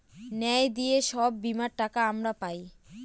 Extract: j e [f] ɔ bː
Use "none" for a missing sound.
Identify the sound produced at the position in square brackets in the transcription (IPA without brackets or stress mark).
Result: ʃ